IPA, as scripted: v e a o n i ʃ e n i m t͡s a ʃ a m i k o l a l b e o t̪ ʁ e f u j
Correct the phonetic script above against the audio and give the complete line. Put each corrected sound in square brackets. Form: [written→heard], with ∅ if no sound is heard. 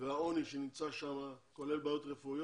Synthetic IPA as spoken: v e a o n i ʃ e n i m t͡s a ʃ a m [i→a] k o l [a→e] l b [e→a] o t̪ ʁ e f u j